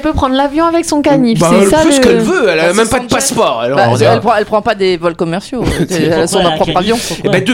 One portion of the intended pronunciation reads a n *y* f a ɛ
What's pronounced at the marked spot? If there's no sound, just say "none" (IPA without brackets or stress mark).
i